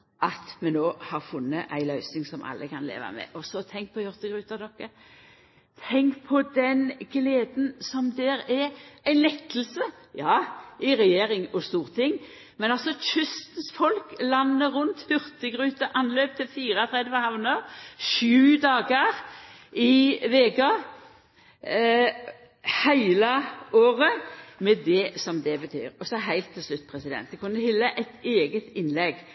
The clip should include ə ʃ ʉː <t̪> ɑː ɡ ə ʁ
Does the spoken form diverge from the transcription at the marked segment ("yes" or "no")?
yes